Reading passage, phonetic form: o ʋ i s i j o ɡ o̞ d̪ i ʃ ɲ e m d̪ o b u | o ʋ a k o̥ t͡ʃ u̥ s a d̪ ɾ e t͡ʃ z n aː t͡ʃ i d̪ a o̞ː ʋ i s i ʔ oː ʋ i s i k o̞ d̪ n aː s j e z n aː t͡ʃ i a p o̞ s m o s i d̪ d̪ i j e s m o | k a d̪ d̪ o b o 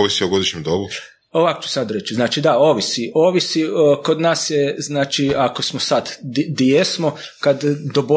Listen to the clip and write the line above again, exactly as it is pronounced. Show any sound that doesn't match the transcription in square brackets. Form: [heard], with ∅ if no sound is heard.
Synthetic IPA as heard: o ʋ i s i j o ɡ o̞ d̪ i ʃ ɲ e m d̪ o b u | o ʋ a k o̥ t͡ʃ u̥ s a d̪ ɾ e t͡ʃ z n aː t͡ʃ i d̪ a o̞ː ʋ i s i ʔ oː ʋ i s i k o̞ d̪ n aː s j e z n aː t͡ʃ i a [k] o̞ s m o s [a] d̪ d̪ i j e s m o | k a d̪ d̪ o b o